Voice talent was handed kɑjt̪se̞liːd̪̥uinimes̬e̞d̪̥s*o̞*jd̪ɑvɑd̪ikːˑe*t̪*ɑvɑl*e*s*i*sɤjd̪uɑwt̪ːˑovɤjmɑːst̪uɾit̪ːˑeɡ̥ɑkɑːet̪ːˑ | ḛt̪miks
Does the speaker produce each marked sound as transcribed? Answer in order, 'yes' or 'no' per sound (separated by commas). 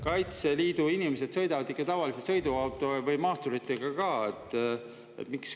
no, yes, no, no